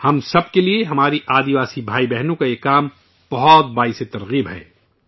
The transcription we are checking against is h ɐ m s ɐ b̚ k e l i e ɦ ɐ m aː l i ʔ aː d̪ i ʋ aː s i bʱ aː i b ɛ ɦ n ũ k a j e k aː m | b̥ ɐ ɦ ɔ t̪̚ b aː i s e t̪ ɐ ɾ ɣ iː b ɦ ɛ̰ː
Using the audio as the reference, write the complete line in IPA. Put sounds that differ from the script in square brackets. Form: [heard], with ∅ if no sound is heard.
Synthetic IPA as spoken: h ɐ m s ɐ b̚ k e l i e ɦ ɐ m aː [ɾ] i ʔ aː d̪ i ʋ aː s i bʱ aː i b ɛ ɦ n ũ k a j e k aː m | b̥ ɐ ɦ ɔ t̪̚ b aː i s e t̪ ɐ ɾ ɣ iː b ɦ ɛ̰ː